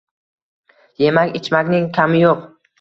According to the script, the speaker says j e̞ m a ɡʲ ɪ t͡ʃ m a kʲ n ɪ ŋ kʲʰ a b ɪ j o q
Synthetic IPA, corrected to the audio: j e̞ m a kʲ ɪ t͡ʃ m a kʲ n ɪ ŋ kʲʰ a m ɪ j o q